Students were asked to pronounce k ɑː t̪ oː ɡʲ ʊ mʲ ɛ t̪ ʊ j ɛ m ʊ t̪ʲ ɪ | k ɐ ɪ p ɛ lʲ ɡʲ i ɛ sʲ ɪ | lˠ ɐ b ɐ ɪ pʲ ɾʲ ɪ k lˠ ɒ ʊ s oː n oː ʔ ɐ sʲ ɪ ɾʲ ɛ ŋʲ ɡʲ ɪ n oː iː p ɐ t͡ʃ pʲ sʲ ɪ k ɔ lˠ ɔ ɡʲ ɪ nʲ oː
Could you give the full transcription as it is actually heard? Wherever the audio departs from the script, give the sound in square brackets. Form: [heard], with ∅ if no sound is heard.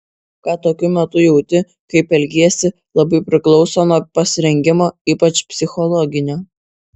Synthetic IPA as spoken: k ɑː t̪ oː [kʲ] ʊ mʲ ɛ t̪ ʊ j ɛ [∅] ʊ t̪ʲ ɪ | k ɐ ɪ p ɛ lʲ ɡʲ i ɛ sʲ ɪ | lˠ ɐ b ɐ ɪ pʲ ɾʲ ɪ k lˠ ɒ ʊ s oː n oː [p] ɐ sʲ ɪ ɾʲ ɛ ŋʲ ɡʲ ɪ [m] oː iː p ɐ t͡ʃ pʲ sʲ ɪ [x] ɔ lˠ ɔ ɡʲ ɪ nʲ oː